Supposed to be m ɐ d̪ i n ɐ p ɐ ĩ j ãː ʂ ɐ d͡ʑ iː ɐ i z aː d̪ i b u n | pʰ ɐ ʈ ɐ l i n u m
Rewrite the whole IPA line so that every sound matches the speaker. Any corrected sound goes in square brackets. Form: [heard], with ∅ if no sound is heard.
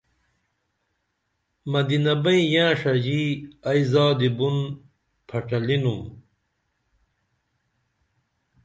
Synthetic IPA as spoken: m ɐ d̪ i n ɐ [b] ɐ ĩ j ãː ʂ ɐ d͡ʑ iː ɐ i z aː d̪ i b u n | pʰ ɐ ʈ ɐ l i n u m

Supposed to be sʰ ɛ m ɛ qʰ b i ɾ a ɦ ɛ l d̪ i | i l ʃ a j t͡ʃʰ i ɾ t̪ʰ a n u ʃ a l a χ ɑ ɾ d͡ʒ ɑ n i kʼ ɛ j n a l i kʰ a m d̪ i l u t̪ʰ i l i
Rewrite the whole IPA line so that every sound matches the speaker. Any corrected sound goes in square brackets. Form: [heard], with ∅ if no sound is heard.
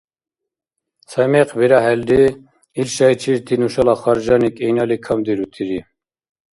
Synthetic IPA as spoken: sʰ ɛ m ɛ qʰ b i ɾ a ɦ ɛ l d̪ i | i l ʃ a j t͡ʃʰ i ɾ t̪ʰ [i] n u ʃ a l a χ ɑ ɾ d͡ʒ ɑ n i kʼ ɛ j n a l i kʰ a m d̪ i [ɾ] u t̪ʰ i [ɾ] i

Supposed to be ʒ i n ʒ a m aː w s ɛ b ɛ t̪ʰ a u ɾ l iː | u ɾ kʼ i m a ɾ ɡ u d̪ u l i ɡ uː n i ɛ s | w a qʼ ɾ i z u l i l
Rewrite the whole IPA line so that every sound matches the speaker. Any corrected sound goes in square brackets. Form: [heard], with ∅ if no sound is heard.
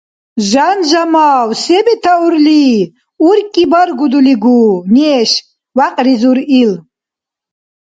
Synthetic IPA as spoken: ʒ [a] n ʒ a m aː w s ɛ b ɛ t̪ʰ a u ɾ l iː | u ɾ kʼ i [b] a ɾ ɡ u d̪ u l i ɡ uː n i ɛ [ʃ] | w a qʼ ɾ i z u [ɾ] i l

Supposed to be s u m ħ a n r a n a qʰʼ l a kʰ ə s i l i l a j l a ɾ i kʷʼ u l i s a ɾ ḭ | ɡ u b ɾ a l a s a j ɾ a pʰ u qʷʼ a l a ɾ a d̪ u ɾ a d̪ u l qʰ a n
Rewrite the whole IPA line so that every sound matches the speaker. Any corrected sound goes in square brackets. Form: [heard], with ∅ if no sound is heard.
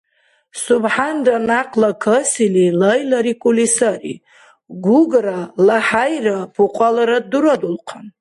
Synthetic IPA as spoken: s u [b] ħ a n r a n a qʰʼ l a kʰ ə s i l i l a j l a ɾ i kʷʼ u l i s a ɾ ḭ | ɡ u [ɡ] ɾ a l a [ħ] a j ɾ a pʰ u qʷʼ a l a ɾ a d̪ u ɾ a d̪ u l qʰ a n

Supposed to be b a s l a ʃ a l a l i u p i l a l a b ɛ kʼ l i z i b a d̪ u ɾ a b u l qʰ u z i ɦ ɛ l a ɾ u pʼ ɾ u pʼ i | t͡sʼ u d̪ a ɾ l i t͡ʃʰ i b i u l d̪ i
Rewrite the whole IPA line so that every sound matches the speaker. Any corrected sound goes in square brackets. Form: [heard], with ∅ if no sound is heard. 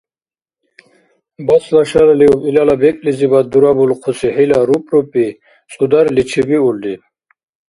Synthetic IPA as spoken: b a s l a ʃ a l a l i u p i l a l a b ɛ kʼ l i z i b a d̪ u ɾ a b u l qʰ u [s] i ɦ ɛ l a ɾ u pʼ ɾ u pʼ i | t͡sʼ u d̪ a ɾ l i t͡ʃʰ i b i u l d̪ i

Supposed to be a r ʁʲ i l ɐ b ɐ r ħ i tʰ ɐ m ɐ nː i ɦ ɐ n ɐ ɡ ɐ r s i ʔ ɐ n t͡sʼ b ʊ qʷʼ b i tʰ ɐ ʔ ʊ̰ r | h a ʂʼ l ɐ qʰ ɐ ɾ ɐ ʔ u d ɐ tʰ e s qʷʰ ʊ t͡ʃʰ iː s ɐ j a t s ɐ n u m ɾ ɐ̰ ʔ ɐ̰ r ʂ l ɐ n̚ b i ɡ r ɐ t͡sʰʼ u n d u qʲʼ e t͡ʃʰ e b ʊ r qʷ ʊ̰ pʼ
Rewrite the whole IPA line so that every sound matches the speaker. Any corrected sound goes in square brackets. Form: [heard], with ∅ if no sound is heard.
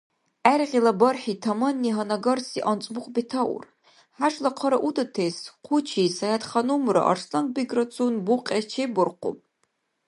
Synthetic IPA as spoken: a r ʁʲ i l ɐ b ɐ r ħ i tʰ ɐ m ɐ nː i ɦ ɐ n ɐ ɡ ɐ r s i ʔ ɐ n t͡sʼ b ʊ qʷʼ b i tʰ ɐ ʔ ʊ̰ r | [ħ] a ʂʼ l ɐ qʰ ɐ ɾ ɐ ʔ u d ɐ tʰ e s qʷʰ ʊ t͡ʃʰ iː s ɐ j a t [χ] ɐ n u m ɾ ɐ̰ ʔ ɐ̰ r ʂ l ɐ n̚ b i ɡ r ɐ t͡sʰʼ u n [b] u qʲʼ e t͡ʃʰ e b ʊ r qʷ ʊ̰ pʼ

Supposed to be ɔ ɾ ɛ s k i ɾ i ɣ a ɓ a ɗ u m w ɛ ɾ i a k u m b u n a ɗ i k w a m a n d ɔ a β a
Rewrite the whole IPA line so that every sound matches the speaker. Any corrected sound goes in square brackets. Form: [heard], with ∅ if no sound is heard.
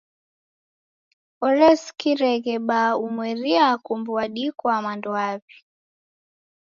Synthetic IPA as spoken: ɔ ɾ ɛ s k i ɾ [ɛ] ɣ [ɛ] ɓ a [∅] u m w ɛ ɾ i a k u m b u [∅] a ɗ i k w a m a n d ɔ a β [i]

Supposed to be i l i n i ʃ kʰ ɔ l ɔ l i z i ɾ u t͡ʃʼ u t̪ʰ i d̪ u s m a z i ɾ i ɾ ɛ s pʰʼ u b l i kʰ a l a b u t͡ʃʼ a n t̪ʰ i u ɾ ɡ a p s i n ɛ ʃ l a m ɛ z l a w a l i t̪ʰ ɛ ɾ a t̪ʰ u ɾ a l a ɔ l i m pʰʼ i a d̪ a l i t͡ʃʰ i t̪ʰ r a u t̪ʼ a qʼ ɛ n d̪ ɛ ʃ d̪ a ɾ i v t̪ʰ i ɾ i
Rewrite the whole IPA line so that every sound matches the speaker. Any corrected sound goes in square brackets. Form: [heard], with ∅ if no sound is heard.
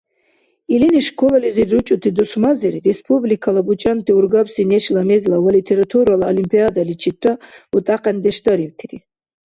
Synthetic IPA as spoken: i l i n i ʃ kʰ ɔ l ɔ l i z i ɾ u t͡ʃʼ u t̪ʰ i d̪ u s m a z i ɾ i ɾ ɛ s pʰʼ u b l i kʰ a l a b u t͡ʃʼ a n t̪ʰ i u ɾ ɡ a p s i n ɛ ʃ l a m ɛ z l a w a l i t̪ʰ ɛ ɾ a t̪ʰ u ɾ a l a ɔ l i m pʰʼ i a d̪ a l i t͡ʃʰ i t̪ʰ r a u t̪ʼ a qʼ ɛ n d̪ ɛ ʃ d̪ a ɾ i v t̪ʰ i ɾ i

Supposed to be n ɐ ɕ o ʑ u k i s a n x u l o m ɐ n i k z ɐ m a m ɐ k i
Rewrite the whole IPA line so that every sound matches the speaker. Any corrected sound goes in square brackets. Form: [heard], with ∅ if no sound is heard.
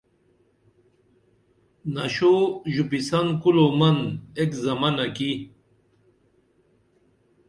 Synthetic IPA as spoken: n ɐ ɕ o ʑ u [p] i s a n [k] u l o m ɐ n [e] k z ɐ m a [n] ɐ k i

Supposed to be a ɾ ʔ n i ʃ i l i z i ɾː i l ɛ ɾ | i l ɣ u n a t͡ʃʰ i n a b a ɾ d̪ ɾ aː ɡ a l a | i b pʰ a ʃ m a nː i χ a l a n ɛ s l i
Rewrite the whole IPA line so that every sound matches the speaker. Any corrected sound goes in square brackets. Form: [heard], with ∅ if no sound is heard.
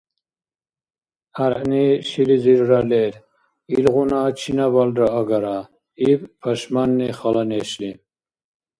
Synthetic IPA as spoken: a ɾ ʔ n i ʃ i l i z i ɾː [a] l ɛ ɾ | i l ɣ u n a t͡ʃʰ i n a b a [l] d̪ ɾ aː ɡ a [ɾ] a | i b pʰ a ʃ m a nː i χ a l a n ɛ [ʃ] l i

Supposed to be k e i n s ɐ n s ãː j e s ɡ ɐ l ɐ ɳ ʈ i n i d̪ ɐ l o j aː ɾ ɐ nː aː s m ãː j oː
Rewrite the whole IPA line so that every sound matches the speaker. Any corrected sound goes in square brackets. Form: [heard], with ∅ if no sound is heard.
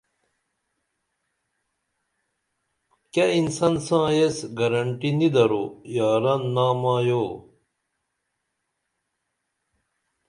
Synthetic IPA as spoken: k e i n s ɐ n s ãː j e s ɡ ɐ [ɾ] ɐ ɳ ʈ i n i d̪ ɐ [ɾ] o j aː ɾ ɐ nː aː [∅] m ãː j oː

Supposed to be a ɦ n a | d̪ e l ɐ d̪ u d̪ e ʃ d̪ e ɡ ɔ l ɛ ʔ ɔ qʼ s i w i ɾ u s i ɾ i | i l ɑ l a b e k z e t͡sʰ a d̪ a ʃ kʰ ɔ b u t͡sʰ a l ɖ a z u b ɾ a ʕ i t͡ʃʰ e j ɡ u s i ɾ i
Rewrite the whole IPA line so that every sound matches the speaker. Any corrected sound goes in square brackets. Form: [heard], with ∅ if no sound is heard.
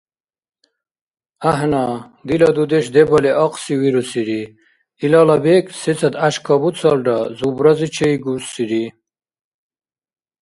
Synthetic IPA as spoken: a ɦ n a | d̪ [i] l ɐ d̪ u d̪ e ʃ d̪ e [b] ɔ l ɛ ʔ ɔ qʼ s i w i ɾ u s i ɾ i | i l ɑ l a b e k [s] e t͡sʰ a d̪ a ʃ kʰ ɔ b u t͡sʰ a l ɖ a z u b ɾ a [z] i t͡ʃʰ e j ɡ u s i ɾ i

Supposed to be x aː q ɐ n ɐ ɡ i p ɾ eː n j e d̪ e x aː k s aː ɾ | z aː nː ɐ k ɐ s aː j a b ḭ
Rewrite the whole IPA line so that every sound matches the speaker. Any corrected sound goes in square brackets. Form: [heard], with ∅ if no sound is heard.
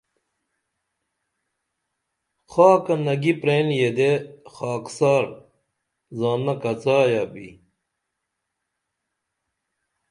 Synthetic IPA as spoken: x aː [k] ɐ n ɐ ɡ i p ɾ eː n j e d̪ e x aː k s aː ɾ | z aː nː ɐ k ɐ [t͡s] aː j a b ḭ

